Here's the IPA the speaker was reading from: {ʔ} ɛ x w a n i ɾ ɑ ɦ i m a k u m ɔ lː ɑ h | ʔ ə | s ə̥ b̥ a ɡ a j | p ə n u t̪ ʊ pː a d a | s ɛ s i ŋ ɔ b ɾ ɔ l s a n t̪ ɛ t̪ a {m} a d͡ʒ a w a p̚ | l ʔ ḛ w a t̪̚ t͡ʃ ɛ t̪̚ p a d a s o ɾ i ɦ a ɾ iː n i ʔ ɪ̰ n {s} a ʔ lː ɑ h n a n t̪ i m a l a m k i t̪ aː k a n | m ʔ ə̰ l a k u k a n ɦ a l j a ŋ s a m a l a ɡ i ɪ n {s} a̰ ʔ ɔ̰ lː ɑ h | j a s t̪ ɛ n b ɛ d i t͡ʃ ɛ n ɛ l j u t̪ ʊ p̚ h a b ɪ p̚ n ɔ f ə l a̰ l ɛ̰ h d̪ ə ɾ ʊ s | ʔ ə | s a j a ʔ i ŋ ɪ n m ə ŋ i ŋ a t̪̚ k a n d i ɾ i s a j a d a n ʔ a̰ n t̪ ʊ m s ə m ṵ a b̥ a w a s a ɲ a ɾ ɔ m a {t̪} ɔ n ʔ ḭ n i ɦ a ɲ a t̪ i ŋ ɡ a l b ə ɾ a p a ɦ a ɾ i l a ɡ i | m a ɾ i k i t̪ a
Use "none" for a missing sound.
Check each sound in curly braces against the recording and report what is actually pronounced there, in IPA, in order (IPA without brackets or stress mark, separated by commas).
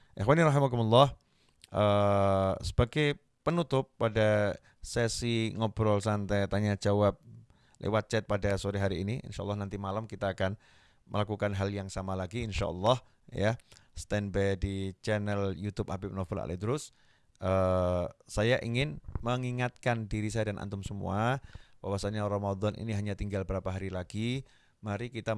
ʔ, ɲ, ʃ, ʃ, d̪